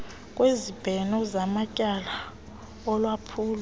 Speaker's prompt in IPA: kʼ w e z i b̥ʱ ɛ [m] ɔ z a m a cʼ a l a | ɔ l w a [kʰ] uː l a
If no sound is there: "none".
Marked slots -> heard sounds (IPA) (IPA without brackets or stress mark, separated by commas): n, pʰ